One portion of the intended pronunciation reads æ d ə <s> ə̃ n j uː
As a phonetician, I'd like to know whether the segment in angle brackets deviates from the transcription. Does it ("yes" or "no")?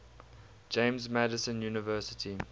no